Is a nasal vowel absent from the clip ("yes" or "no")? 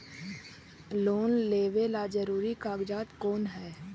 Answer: yes